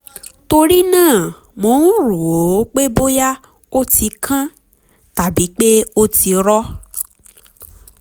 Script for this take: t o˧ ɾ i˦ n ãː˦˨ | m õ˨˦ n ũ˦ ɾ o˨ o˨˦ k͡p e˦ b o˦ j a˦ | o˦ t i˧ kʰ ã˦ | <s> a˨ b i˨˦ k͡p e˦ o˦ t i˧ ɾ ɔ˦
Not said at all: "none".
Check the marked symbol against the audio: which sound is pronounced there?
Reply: t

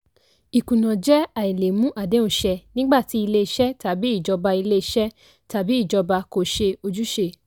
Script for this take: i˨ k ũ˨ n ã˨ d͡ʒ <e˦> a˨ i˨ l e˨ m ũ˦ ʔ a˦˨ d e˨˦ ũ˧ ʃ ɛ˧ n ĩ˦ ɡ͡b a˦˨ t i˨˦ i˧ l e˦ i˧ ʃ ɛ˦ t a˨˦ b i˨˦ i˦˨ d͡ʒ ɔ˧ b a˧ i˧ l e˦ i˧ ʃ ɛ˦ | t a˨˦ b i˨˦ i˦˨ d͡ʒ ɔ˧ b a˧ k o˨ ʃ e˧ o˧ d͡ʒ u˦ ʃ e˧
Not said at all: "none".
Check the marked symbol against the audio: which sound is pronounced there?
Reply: ɛ˦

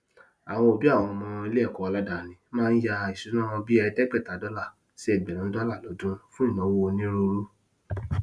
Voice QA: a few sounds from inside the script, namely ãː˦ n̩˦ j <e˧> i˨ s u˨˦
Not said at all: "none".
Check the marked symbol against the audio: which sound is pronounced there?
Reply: a˧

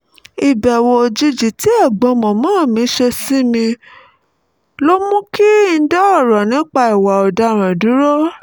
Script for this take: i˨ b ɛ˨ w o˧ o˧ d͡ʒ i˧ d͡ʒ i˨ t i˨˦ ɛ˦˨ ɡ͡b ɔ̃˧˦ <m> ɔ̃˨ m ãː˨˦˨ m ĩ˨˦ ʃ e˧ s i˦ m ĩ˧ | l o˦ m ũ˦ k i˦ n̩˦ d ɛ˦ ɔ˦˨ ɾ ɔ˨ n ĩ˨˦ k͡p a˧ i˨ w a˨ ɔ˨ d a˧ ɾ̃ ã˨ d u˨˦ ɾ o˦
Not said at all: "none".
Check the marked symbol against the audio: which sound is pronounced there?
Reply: m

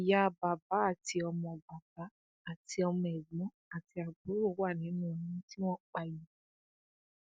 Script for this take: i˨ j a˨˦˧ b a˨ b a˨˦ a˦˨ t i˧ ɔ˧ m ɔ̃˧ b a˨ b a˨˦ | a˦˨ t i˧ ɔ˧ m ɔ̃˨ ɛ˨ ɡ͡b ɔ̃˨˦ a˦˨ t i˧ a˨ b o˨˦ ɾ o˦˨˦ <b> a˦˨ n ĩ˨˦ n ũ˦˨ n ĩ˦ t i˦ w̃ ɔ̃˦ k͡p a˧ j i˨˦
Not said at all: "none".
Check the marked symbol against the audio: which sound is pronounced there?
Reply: w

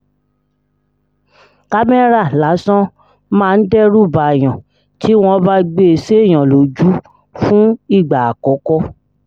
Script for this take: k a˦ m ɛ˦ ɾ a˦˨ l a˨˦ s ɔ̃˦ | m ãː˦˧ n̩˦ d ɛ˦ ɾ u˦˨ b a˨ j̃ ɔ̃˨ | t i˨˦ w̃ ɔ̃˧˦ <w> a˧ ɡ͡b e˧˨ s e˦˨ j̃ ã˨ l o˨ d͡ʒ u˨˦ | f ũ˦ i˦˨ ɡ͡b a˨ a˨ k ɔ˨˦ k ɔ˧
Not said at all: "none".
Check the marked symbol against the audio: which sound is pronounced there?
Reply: b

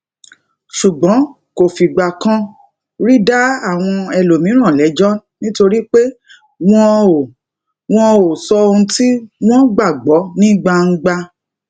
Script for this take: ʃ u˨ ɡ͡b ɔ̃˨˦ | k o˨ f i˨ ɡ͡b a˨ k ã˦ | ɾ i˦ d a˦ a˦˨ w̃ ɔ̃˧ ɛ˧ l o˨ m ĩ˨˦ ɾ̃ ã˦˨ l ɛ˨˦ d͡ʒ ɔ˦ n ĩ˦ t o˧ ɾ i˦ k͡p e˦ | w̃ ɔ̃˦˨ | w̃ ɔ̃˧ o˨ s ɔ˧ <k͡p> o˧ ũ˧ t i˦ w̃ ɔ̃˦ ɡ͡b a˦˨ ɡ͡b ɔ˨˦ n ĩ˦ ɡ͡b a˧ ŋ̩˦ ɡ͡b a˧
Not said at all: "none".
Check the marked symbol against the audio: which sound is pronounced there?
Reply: none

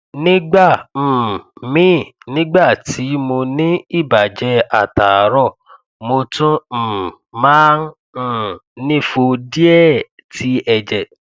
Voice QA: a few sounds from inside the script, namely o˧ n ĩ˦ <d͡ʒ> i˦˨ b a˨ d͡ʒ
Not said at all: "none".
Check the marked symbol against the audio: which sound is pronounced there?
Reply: none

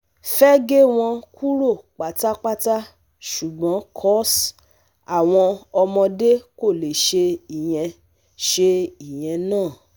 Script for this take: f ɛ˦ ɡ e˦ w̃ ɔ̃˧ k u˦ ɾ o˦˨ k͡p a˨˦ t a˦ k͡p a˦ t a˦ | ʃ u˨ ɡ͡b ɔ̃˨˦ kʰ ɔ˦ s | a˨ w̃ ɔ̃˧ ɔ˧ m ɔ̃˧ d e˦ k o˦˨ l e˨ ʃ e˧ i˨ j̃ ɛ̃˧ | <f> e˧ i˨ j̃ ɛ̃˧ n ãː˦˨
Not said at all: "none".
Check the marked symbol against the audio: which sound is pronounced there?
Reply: ʃ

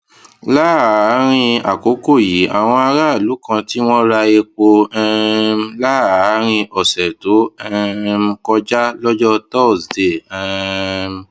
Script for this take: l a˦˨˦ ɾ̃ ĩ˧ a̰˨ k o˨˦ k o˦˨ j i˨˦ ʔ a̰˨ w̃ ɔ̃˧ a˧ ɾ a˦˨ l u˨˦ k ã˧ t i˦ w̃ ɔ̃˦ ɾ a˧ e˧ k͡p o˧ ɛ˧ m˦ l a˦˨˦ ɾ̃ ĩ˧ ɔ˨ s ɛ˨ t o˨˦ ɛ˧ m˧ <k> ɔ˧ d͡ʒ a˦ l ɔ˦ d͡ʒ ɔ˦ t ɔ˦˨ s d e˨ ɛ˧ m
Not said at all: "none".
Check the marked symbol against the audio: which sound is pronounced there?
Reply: k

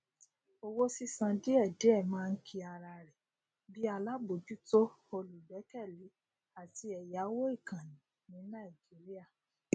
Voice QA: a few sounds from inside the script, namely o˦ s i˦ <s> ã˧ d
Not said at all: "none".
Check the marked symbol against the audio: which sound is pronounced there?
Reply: s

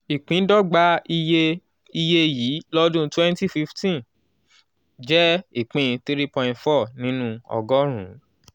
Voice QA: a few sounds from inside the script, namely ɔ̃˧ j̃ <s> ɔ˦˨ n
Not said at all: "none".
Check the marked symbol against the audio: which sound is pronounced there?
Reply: f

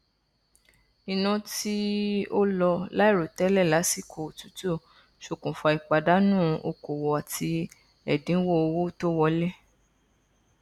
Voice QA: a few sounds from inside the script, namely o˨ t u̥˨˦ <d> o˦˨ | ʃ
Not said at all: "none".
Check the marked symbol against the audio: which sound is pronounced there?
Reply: t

